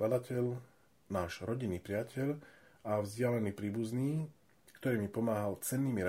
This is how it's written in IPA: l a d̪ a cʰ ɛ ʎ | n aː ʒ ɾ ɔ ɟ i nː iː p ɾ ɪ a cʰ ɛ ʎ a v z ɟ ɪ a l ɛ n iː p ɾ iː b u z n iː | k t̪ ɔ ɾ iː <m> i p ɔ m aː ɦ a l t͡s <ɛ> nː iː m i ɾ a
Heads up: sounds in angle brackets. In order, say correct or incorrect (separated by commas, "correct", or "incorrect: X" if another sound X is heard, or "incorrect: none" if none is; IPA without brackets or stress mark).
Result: correct, correct